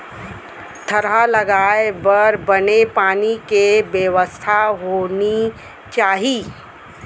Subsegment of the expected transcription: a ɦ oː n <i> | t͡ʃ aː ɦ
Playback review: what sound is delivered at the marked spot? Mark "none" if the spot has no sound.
i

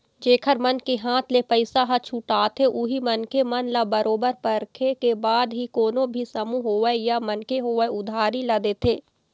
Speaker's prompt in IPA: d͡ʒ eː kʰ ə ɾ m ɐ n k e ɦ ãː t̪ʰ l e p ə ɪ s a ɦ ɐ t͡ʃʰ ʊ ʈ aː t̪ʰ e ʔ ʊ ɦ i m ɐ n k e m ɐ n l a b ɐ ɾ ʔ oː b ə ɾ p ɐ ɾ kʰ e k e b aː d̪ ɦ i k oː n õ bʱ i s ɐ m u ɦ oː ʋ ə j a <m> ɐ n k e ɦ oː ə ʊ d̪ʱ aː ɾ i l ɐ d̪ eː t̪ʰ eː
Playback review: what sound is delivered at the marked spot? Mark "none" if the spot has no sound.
m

